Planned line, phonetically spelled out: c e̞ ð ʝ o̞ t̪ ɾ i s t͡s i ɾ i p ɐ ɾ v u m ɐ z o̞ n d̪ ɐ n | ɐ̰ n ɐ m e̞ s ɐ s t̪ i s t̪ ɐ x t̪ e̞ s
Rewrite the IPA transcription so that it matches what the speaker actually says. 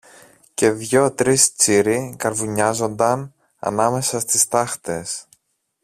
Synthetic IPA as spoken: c e̞ ð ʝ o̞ t̪ ɾ i s t͡s i ɾ i k ɐ ɾ v u ɲ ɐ z o̞ n d̪ ɐ n | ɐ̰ n ɐ m e̞ s ɐ s t̪ i s t̪ ɐ x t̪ e̞ s